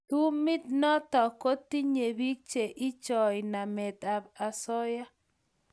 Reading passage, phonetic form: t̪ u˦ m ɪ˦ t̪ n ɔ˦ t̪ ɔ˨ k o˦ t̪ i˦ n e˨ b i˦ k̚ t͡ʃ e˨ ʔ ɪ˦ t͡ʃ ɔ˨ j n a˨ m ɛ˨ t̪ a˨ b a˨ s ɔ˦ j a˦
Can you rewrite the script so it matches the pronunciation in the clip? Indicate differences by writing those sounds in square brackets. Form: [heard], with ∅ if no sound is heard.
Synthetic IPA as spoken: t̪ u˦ m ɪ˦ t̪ n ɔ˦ t̪ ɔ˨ k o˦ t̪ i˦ [ɲ] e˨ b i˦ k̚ t͡ʃ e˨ ʔ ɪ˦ t͡ʃ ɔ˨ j n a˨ m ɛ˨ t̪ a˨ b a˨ s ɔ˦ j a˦